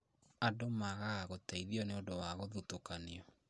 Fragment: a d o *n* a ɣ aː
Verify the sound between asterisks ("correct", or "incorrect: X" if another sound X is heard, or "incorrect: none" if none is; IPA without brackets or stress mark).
incorrect: m